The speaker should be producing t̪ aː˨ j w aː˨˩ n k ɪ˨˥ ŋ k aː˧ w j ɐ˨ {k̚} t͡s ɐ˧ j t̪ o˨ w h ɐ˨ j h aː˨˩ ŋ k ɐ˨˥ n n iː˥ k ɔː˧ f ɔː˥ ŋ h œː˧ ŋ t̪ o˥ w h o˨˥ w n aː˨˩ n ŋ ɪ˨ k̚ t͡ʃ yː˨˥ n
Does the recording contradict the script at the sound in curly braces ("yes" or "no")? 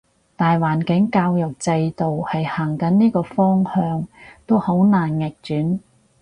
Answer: no